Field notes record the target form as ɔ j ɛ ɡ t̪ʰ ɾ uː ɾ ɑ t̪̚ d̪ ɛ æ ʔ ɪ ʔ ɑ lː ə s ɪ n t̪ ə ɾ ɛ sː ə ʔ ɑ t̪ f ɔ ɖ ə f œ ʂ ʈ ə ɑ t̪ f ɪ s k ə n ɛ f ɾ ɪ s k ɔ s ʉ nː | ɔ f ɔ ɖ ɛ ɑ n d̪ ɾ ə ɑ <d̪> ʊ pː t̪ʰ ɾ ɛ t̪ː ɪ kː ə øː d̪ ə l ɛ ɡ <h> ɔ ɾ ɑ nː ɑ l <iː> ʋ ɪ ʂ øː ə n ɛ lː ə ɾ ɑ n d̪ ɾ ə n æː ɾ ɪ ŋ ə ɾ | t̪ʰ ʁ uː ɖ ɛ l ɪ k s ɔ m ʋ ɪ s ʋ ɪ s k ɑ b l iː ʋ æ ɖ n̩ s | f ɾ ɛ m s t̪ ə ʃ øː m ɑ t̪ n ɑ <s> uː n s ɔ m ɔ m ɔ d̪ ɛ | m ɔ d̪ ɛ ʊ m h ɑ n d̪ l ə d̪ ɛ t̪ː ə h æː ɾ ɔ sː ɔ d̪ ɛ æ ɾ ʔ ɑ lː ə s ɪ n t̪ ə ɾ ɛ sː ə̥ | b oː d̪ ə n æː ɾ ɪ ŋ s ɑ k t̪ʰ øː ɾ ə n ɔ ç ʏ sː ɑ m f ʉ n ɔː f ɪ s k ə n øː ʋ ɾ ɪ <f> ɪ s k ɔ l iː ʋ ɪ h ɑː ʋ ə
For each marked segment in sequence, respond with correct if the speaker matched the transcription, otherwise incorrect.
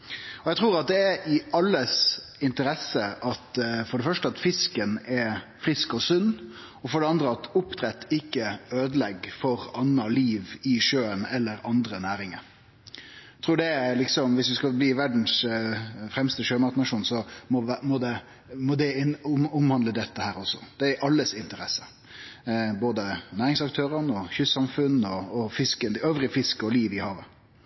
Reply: incorrect, incorrect, correct, incorrect, correct

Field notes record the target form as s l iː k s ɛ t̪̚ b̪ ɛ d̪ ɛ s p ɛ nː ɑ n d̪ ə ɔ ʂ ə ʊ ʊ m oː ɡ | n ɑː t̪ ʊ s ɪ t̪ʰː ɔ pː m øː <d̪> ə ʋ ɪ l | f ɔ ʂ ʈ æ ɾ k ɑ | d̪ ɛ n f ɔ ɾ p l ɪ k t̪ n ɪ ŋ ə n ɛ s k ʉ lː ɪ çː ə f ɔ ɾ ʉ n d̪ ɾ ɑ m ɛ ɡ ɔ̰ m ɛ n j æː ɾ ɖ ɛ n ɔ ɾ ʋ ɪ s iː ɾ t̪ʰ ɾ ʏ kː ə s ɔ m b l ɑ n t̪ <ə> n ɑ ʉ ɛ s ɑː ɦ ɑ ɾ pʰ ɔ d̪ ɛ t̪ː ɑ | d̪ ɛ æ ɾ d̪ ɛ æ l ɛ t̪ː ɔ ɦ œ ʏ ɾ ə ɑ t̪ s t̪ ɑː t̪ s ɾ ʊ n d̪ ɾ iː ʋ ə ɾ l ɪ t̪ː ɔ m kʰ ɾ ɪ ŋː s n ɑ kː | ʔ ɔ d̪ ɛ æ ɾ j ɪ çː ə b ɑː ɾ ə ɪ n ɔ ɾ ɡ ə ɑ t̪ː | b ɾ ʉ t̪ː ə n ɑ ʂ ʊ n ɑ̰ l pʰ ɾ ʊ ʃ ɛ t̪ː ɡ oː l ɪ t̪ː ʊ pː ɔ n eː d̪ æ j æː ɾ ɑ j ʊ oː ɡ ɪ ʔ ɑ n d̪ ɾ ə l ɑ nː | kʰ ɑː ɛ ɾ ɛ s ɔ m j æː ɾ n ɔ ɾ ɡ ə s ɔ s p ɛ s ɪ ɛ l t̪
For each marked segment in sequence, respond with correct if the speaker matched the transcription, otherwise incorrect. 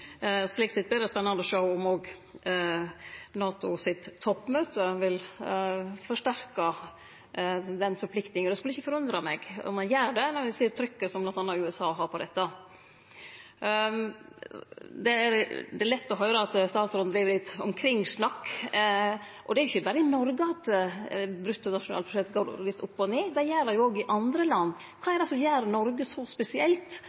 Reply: incorrect, incorrect

